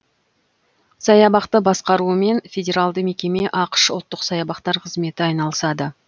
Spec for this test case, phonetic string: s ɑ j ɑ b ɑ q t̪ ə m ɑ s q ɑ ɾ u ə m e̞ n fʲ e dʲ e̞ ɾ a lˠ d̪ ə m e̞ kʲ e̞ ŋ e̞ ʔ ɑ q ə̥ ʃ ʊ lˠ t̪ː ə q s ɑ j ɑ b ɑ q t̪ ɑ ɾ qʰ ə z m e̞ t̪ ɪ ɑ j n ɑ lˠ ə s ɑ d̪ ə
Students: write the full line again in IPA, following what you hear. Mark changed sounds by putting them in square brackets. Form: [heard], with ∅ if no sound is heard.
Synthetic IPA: s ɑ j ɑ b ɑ q t̪ ə [b] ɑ s q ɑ ɾ u ə m e̞ n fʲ e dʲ e̞ ɾ a lˠ d̪ ə m e̞ kʲ e̞ [m] e̞ ʔ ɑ q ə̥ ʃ ʊ lˠ t̪ː ə q s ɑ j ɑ b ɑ q t̪ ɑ ɾ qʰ ə z m e̞ t̪ ɪ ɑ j n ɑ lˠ ə s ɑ d̪ ə